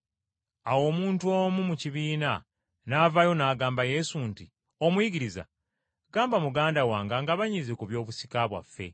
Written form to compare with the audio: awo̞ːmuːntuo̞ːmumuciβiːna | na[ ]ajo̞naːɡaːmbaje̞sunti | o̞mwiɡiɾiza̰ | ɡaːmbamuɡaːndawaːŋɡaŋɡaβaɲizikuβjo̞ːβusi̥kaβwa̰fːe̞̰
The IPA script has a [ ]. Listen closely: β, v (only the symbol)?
v